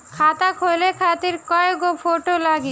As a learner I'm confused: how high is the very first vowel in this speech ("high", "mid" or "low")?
low